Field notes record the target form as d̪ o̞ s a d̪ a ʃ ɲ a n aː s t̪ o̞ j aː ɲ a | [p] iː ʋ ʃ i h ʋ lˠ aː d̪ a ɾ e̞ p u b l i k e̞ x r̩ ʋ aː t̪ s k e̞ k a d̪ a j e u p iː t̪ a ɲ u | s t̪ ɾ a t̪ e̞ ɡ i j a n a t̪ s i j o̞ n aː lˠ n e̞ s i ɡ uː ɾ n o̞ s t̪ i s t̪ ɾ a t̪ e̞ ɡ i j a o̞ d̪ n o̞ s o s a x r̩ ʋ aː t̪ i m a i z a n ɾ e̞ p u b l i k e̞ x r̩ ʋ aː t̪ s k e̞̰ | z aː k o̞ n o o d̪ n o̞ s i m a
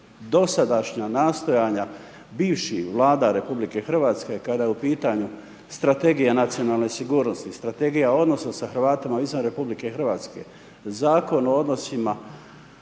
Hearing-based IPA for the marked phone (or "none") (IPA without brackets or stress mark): b